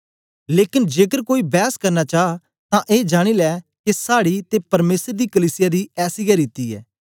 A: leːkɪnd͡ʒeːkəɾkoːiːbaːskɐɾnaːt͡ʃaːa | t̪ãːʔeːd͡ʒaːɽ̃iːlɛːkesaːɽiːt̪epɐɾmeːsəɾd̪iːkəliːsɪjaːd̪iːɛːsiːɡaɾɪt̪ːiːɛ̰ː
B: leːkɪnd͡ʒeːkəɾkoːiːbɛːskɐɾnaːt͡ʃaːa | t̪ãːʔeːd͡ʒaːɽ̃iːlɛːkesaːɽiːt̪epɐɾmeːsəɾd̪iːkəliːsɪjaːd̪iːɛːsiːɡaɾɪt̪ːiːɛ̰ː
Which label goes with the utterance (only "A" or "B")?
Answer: B